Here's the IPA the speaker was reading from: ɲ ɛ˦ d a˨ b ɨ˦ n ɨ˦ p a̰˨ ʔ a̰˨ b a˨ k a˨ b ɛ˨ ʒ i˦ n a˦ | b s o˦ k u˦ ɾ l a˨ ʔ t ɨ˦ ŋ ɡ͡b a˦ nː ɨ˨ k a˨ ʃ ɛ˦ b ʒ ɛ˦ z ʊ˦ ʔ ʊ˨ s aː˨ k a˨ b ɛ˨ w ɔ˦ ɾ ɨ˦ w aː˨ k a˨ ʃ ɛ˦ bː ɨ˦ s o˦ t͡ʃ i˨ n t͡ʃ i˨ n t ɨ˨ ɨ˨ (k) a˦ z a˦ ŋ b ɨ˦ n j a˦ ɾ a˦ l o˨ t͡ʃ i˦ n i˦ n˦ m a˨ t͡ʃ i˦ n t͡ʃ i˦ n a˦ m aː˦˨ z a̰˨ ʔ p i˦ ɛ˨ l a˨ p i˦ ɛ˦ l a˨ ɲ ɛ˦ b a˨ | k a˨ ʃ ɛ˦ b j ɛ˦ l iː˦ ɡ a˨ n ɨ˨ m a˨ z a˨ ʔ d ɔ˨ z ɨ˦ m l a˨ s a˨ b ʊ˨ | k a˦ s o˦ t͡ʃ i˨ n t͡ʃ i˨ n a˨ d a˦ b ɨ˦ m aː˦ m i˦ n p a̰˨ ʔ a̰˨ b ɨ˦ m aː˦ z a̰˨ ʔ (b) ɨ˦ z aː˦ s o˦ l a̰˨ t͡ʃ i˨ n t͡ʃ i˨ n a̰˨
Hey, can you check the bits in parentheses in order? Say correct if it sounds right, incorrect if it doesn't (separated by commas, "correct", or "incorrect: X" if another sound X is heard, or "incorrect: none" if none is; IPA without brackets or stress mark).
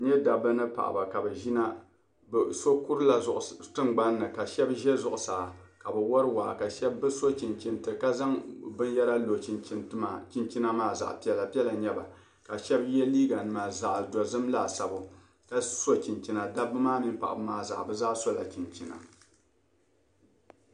correct, correct